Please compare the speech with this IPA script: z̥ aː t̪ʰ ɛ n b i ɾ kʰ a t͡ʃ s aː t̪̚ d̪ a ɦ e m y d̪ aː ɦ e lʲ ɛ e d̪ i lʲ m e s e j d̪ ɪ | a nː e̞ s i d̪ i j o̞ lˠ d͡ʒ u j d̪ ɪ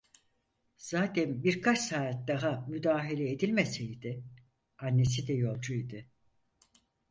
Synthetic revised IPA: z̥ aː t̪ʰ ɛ n b i ɾ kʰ a t͡ʃ s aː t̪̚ d̪ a ɦ a m y d̪ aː ɦ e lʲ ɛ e d̪ i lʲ m e s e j d̪ ɪ | a nː e̞ s i d̪ ɛ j o̞ lˠ d͡ʒ u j d̪ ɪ